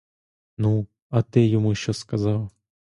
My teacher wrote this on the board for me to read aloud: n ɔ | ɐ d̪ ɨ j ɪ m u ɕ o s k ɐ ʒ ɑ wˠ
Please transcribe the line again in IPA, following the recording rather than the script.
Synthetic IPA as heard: n u | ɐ t̪ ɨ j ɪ m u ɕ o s k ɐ z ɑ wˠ